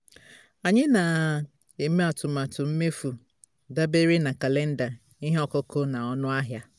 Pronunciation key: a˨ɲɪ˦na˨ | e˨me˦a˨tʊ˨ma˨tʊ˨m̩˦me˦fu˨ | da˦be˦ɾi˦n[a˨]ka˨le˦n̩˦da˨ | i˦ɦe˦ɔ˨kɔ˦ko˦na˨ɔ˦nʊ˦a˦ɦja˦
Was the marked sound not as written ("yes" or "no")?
no